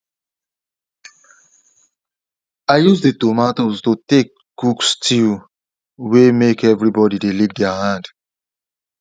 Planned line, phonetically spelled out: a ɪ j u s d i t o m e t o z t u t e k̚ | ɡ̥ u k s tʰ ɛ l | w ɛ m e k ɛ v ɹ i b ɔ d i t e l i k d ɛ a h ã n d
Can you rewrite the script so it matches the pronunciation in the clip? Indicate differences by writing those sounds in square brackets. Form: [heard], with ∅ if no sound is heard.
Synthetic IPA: a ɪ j u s d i t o m [a] t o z t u t e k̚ | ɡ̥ u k s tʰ [i] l | w [e] m e k ɛ v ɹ i b ɔ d i [d] e l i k d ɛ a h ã n d